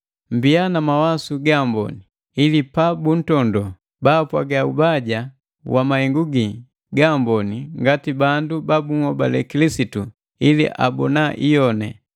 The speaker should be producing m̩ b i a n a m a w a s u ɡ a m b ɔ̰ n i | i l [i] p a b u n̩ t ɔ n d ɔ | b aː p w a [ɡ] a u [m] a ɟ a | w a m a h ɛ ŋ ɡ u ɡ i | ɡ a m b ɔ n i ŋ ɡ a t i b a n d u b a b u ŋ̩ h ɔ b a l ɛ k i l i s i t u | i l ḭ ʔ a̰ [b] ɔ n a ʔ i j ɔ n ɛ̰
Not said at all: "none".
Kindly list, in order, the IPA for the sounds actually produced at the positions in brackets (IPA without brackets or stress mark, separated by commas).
i, ɡ, b, b